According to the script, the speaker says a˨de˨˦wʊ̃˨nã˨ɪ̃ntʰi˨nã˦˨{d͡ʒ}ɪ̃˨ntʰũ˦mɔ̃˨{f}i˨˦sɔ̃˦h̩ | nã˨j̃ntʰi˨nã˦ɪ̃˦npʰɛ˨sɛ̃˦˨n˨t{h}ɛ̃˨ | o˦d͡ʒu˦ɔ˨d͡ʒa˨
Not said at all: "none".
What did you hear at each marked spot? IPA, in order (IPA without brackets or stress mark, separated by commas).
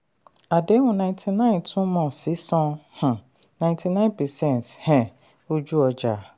none, s, h